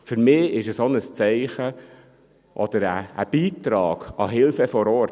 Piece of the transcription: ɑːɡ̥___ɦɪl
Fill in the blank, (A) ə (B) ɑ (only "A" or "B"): B